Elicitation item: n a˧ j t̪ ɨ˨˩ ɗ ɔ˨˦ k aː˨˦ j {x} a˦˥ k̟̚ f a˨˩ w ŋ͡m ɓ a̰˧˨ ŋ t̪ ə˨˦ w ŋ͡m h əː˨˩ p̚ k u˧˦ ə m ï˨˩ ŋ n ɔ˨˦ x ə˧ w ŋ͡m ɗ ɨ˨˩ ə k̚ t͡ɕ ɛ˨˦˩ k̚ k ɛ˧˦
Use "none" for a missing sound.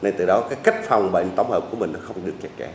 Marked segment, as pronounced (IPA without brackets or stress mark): k